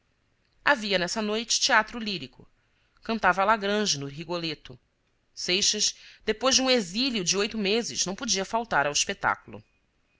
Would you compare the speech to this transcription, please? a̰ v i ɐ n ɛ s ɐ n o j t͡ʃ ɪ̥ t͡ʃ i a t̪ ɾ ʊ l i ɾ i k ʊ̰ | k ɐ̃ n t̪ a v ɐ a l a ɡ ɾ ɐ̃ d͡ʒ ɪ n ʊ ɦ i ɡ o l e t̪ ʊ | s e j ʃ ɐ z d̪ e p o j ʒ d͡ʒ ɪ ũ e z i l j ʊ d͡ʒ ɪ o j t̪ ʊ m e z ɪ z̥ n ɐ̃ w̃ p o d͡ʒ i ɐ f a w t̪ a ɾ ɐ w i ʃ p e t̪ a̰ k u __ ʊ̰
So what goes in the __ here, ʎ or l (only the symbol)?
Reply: l